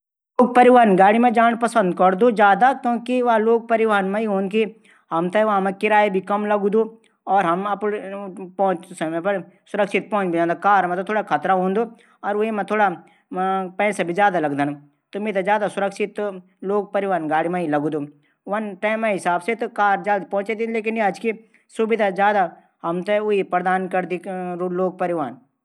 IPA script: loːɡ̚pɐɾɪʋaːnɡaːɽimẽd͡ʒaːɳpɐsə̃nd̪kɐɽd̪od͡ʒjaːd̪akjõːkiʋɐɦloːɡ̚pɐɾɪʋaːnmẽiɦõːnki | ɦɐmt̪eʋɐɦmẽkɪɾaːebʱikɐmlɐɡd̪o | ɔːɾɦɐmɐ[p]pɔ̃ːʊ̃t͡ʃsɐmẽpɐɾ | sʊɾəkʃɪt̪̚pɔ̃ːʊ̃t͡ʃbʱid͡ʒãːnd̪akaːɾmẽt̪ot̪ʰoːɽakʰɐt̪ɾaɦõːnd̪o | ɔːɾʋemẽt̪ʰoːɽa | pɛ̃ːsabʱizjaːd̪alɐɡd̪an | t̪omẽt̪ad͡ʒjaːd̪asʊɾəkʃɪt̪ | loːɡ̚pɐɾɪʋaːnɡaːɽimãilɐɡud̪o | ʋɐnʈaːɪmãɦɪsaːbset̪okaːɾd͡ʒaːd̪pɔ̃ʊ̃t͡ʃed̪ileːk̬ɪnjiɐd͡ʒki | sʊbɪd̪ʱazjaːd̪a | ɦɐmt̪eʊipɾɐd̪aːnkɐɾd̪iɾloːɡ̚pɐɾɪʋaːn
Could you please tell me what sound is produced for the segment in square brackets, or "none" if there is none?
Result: p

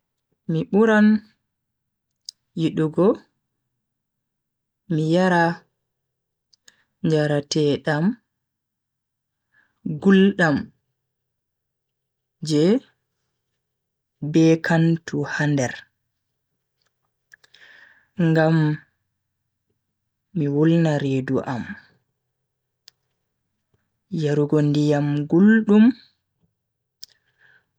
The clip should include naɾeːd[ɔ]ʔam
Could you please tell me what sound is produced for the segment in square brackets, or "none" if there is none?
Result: u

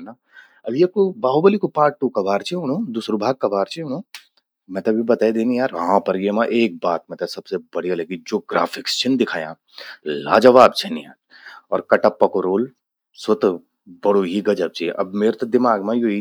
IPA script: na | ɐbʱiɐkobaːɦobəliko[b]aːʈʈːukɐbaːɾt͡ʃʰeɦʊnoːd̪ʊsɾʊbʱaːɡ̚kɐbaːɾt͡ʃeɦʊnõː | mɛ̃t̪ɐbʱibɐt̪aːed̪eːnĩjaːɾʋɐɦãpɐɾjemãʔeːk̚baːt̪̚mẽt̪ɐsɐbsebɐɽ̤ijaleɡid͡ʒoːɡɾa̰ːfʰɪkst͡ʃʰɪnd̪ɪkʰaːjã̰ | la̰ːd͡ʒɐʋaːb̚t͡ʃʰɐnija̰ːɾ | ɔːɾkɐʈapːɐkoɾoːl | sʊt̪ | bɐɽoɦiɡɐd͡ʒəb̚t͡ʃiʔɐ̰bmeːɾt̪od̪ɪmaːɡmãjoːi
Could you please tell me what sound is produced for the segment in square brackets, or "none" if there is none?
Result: p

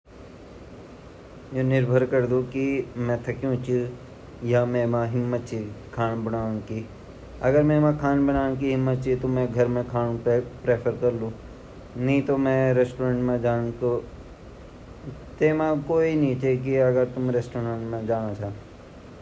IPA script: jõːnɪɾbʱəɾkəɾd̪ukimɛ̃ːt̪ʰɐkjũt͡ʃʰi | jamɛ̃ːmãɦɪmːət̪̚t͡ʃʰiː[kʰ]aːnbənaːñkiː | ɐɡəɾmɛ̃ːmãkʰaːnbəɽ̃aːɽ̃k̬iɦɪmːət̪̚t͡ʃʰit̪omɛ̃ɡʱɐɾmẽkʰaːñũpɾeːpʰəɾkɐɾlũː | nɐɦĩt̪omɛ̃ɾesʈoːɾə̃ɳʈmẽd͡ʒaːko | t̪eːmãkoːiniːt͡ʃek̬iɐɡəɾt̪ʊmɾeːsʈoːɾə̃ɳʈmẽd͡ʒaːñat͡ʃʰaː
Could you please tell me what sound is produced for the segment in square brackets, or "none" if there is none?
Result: kʰ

